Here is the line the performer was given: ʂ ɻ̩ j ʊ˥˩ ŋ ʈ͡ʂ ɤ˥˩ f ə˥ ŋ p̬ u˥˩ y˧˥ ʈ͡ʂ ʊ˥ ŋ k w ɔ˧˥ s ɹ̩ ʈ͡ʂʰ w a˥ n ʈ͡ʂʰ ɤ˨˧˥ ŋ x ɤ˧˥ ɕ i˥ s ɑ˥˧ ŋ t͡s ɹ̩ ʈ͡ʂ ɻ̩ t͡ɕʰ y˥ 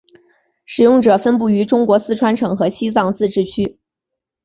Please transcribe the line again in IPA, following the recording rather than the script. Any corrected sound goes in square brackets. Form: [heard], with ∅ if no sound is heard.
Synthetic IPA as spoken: ʂ ɻ̩ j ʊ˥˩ ŋ ʈ͡ʂ [ɤ˨˩] f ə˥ [n] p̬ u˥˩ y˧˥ ʈ͡ʂ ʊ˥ ŋ k w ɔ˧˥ s ɹ̩ ʈ͡ʂʰ w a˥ n ʈ͡ʂʰ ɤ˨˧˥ ŋ x ɤ˧˥ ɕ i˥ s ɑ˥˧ ŋ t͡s ɹ̩ ʈ͡ʂ ɻ̩ t͡ɕʰ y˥